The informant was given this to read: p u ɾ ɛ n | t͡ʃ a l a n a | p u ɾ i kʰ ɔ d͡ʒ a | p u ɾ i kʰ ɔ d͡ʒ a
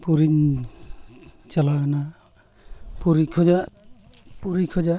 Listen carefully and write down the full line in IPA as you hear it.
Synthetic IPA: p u ɾ i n | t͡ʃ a l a n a | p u ɾ i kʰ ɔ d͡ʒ a | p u ɾ i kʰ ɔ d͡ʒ a